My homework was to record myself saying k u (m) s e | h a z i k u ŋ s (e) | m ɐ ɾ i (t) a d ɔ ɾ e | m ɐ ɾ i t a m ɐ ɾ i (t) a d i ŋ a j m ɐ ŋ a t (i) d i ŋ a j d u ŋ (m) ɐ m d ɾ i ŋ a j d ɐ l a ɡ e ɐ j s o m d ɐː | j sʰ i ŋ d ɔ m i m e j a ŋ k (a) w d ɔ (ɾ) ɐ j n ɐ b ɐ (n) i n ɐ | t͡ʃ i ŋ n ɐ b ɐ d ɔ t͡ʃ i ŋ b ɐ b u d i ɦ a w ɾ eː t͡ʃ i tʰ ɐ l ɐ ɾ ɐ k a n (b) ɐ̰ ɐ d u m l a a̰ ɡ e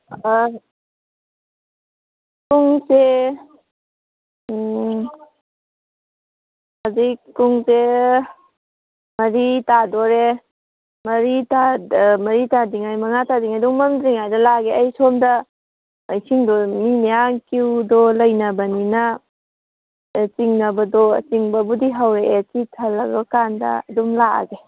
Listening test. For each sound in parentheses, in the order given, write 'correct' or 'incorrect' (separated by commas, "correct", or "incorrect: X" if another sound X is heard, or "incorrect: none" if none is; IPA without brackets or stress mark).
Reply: incorrect: ŋ, correct, correct, correct, incorrect: a, correct, incorrect: i, incorrect: l, correct, incorrect: d